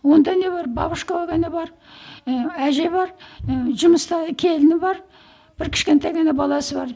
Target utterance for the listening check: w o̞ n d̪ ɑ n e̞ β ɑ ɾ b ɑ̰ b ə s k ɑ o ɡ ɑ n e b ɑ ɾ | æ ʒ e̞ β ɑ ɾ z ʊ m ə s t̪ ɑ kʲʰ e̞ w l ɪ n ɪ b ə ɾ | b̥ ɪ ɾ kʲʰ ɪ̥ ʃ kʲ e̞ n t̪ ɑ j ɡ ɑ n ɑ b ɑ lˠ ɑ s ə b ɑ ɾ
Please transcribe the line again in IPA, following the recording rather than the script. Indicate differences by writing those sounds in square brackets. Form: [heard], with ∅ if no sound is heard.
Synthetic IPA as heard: w o̞ n d̪ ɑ n e̞ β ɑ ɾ b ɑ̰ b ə [ʃ] k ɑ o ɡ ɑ n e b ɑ ɾ | æ ʒ e̞ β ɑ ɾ [ʒ] ʊ m ə s t̪ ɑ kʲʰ e̞ [∅] l ɪ n ɪ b [ɑ] ɾ | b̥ ɪ ɾ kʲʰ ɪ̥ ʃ kʲ e̞ n t̪ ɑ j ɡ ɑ n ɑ b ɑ lˠ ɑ s ə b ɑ ɾ